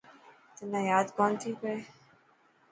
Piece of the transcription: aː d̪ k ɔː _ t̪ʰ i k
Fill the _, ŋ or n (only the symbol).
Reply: n